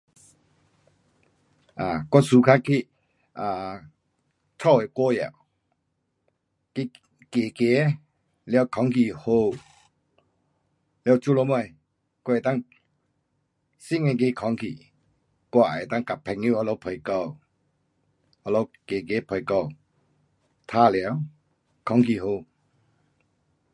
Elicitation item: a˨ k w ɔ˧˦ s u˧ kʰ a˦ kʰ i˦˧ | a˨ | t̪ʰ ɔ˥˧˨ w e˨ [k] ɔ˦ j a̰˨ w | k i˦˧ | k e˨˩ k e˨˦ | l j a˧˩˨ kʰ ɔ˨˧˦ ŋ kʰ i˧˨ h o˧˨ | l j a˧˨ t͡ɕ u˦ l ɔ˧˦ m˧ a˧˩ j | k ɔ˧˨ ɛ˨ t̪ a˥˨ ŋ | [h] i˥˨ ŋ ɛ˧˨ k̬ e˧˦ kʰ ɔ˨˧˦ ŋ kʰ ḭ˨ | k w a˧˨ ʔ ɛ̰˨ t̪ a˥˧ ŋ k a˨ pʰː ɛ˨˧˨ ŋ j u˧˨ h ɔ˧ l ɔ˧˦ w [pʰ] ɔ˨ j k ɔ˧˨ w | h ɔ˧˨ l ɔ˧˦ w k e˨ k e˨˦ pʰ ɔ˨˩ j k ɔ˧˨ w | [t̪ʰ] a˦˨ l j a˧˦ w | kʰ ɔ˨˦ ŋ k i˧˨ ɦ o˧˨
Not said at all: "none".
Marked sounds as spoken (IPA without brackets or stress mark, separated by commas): k, s, pʰ, t̪ʰ